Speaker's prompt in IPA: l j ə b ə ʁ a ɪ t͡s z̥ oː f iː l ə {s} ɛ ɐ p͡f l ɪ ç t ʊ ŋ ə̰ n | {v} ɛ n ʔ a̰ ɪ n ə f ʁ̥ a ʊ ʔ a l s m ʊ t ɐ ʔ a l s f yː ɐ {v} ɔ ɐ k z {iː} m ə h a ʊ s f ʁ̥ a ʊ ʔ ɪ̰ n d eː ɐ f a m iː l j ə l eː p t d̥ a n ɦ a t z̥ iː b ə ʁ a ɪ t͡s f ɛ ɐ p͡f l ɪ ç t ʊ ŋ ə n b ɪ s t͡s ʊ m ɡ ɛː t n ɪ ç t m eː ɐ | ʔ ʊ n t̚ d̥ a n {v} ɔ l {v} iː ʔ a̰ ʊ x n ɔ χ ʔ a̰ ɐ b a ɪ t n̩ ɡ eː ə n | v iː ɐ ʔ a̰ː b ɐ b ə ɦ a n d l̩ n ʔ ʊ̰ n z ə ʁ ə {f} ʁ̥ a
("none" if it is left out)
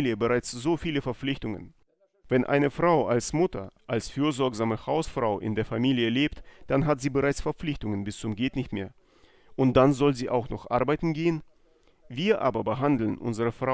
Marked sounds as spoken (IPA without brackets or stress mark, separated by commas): f, v, z, aː, z, z, f